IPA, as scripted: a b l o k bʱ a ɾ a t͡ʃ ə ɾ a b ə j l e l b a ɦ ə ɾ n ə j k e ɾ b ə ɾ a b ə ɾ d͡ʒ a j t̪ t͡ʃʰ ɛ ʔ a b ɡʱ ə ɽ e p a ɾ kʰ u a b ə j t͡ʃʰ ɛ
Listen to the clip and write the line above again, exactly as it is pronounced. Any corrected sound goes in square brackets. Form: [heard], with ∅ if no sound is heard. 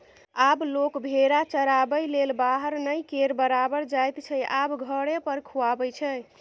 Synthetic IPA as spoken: a b l o k bʱ [e] ɾ a t͡ʃ ə ɾ a b ə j l e l b a ɦ ə ɾ n ə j k e ɾ b ə ɾ a b ə ɾ d͡ʒ a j t̪ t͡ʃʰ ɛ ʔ a b ɡʱ ə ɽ e p [ə] ɾ kʰ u a b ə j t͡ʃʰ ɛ